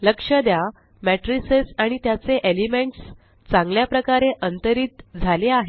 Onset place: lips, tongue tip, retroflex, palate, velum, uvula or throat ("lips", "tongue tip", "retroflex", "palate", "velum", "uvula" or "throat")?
tongue tip